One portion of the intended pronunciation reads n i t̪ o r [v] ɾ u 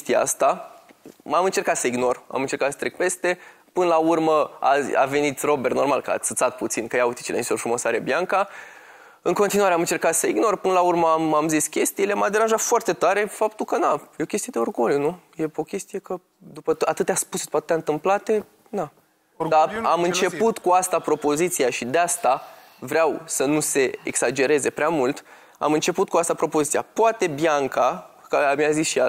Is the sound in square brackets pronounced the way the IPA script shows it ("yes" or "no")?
no